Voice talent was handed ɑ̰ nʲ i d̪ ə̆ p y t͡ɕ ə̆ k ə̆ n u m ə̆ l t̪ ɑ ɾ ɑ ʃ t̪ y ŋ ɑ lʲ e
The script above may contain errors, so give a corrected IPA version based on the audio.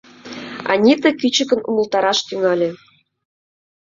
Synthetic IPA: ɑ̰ nʲ i t̪ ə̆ k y t͡ɕ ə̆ k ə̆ n u m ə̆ l t̪ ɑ ɾ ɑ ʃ t̪ y ŋ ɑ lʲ e